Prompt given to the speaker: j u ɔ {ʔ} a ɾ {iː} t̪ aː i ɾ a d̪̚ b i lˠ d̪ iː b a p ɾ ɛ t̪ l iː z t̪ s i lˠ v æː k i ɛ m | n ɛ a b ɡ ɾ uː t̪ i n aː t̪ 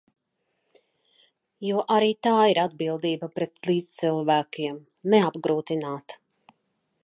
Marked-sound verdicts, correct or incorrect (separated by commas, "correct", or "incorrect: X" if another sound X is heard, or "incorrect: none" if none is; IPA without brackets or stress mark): correct, correct